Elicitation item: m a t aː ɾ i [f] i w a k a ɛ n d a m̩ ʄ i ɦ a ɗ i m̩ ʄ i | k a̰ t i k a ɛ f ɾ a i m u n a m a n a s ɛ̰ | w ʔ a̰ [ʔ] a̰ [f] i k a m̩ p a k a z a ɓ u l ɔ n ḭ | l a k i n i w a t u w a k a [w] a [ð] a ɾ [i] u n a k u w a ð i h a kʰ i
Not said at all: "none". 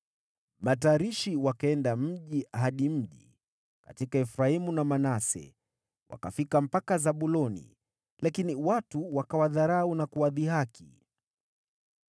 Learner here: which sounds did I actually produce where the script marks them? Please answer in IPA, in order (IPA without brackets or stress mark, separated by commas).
ʃ, k, f, w, ð, a